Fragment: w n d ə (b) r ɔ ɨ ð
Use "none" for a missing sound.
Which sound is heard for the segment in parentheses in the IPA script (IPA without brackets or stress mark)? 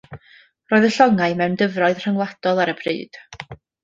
v